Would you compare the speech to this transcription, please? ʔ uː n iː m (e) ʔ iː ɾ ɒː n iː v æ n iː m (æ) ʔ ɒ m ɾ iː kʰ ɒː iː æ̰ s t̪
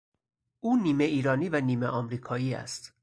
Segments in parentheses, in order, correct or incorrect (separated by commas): correct, incorrect